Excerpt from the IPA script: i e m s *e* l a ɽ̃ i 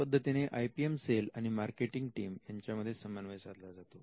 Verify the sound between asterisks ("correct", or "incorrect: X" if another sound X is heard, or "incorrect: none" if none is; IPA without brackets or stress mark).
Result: correct